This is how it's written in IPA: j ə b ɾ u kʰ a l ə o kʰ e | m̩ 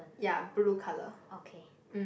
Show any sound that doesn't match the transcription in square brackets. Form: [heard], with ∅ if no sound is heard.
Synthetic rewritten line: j [a] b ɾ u kʰ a l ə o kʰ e | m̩